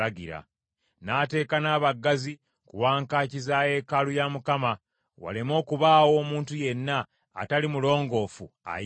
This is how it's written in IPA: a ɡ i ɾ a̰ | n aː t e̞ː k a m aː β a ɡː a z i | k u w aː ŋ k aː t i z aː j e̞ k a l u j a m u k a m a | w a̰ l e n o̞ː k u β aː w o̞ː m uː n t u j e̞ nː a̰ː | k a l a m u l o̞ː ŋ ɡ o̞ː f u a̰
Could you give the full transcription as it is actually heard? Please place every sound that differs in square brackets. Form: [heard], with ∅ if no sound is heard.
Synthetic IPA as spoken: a ɡ i ɾ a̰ | n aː t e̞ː k a [n] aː β a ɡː a z i | k u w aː ŋ k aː [c] i z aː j e̞ k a l u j a m u k a m a | w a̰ l e [m] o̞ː k u β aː w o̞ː m uː n t u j e̞ nː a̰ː | [t] a l [i] m u l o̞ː ŋ ɡ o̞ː f u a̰